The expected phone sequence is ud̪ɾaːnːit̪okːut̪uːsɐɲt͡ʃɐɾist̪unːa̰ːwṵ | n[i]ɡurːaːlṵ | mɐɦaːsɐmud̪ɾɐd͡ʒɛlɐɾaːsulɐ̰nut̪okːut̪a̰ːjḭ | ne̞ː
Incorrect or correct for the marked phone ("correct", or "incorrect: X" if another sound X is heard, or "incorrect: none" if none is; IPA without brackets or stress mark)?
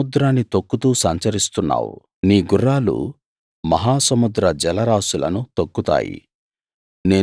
incorrect: iː